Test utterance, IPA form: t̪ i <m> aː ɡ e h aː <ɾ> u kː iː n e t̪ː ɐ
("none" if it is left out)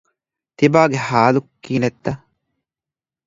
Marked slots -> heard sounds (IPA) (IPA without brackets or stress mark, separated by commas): b, l